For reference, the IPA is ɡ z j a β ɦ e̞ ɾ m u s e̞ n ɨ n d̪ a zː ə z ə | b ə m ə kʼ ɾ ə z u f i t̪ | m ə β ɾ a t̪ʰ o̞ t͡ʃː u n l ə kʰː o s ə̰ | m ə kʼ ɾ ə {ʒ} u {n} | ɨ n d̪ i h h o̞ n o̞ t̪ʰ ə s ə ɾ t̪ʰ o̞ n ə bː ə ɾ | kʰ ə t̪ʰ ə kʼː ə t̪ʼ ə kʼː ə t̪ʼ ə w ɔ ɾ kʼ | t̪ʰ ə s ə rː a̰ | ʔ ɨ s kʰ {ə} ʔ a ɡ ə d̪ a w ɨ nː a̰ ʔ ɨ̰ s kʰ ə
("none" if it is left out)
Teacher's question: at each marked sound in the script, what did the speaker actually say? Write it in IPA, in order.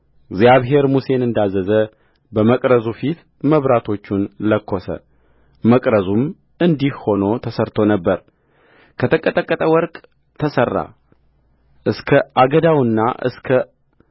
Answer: z, m, ə

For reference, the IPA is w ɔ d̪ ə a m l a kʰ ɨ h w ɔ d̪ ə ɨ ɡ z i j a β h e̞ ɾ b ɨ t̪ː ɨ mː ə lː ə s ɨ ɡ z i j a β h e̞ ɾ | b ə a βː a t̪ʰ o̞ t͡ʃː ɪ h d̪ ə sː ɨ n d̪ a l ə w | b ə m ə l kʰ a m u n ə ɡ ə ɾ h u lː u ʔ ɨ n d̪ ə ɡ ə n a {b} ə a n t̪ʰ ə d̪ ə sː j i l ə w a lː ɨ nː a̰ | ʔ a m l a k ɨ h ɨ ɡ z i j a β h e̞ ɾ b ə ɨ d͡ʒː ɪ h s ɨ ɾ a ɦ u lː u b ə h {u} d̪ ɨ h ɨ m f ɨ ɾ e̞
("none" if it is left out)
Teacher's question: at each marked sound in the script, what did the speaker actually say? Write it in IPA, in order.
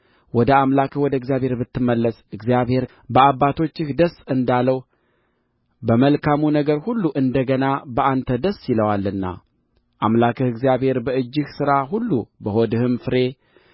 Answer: b, o

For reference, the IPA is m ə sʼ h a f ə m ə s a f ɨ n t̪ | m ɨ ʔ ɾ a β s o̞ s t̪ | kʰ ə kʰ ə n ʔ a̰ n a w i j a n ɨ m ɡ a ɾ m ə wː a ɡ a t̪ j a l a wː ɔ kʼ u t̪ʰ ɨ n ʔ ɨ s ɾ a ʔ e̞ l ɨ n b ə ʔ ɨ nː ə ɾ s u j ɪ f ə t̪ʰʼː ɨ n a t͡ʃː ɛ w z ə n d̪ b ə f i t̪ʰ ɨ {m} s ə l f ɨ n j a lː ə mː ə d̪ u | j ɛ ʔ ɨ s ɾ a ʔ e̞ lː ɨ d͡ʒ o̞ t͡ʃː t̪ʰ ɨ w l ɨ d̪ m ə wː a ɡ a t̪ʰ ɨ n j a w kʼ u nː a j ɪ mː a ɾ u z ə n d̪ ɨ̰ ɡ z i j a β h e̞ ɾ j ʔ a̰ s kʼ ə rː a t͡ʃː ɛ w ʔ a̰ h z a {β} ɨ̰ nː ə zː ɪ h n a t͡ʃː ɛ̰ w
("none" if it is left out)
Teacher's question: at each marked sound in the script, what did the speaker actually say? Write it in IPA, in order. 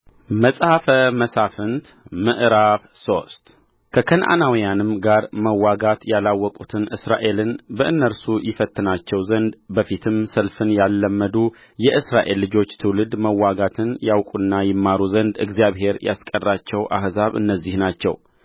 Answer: m, β

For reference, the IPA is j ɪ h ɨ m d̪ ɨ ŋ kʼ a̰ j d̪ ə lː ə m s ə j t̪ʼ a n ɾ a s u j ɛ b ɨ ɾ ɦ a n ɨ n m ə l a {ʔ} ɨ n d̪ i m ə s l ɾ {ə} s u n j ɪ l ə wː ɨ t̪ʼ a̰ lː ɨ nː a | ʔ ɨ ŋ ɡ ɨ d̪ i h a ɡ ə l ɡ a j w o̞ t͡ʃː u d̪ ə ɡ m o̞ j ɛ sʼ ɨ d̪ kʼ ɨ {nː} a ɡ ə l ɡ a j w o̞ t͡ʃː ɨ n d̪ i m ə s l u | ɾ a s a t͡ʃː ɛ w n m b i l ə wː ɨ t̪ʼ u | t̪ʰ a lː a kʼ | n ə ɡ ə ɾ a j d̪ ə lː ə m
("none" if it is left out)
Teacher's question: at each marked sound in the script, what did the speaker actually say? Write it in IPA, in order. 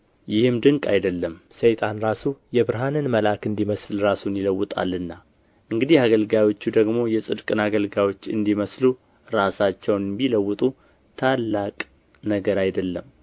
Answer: k, a, n

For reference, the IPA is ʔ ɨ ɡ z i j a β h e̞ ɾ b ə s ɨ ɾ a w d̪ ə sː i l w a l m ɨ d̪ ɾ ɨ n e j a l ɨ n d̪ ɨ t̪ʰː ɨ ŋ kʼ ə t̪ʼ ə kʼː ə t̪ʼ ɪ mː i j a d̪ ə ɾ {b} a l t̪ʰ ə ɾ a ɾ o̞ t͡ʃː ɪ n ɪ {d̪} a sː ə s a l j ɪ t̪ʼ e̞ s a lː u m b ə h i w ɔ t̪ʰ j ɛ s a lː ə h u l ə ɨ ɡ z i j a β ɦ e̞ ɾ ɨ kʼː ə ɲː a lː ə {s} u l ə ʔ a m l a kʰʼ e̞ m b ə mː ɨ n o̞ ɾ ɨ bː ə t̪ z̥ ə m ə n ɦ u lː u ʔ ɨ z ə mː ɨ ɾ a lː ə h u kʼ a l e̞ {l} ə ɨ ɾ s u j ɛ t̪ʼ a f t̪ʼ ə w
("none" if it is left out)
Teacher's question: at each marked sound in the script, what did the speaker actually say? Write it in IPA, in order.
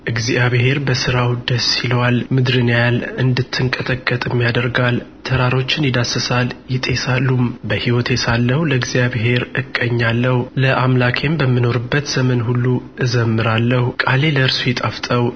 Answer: ɡ, d̪, h, l

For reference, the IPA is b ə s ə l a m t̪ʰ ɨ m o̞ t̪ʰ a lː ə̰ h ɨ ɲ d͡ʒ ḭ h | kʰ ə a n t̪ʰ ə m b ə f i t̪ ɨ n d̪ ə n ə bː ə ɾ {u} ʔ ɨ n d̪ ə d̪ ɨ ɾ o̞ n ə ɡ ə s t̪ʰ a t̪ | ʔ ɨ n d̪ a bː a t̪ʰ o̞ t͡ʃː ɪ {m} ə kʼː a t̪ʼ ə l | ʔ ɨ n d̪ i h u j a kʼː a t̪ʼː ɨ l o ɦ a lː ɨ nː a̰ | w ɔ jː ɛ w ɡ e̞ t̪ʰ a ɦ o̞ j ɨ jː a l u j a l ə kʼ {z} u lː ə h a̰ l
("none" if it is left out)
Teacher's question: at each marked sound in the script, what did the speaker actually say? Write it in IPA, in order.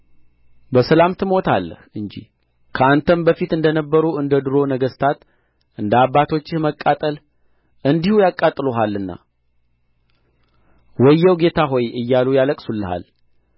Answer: u, m, s

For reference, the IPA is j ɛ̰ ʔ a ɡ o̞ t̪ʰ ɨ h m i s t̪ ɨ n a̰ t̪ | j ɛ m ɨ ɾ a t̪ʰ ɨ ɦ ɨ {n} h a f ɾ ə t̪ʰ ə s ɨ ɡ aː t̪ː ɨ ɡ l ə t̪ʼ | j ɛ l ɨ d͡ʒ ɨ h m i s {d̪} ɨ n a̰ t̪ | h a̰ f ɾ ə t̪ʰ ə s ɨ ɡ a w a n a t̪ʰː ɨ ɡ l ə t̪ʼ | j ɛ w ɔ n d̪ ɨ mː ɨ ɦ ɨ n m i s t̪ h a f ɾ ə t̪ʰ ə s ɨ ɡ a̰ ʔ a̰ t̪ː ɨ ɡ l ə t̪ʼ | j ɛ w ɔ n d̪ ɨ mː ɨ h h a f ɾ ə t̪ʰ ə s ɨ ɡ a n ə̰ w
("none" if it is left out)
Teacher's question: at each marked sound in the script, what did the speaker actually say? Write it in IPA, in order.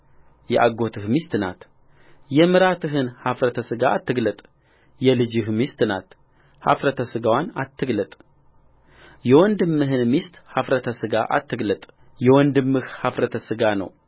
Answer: n, t̪

